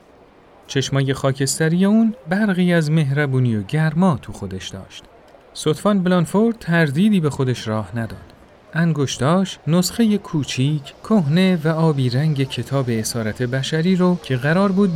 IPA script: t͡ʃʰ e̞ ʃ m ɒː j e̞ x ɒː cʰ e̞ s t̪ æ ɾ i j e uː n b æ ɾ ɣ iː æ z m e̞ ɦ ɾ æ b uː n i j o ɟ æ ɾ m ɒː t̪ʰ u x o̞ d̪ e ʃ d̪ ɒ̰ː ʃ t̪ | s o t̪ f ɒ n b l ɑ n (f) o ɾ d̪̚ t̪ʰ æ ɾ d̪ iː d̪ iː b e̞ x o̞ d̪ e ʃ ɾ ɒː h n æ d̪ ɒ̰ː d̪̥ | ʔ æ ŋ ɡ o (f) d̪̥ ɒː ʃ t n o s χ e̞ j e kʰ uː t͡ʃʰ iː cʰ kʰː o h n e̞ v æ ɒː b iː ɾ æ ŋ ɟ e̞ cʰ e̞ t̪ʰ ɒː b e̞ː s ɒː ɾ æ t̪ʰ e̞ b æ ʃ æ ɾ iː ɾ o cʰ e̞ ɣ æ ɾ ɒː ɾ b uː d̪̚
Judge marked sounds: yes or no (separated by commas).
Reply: yes, no